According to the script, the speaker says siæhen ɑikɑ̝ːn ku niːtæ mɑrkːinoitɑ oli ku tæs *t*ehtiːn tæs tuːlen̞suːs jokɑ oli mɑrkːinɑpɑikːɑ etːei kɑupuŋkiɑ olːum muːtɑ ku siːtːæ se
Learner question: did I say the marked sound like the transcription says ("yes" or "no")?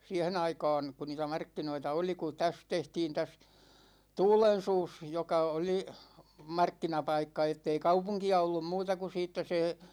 yes